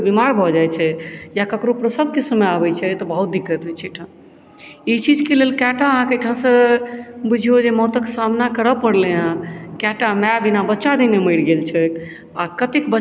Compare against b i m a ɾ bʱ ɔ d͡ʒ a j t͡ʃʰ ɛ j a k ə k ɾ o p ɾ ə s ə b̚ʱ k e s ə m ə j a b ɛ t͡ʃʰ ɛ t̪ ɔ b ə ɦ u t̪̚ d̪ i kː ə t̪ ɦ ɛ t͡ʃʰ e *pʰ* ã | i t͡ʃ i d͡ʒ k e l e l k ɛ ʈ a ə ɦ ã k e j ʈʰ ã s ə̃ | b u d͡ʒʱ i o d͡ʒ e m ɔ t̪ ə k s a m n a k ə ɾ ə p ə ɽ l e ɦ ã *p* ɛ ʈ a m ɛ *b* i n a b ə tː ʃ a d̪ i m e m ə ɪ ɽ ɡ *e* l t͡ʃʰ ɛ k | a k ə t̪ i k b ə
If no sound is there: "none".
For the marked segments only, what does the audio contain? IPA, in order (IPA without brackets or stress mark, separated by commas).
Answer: ʈʰ, k, b, e